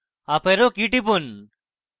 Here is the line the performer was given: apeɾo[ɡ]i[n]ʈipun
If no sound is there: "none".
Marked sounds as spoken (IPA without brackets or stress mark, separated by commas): k, none